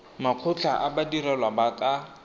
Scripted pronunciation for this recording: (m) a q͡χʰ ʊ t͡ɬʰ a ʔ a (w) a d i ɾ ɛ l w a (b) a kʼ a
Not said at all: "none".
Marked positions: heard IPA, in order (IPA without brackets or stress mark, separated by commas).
m, b, b